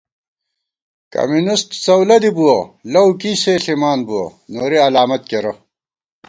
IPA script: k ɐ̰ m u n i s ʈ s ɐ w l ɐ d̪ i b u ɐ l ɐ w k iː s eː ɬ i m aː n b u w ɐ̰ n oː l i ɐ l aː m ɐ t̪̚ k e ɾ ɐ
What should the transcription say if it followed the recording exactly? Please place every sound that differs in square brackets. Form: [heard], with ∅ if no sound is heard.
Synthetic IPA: k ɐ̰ m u n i s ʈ s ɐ w l ɐ d̪ i b u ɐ l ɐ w k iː s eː ɬ i m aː n b u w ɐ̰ n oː [ɾ] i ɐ l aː m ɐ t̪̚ k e ɾ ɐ